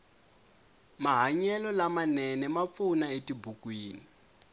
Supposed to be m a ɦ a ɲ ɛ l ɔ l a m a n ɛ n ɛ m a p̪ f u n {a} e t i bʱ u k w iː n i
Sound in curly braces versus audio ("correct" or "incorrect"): correct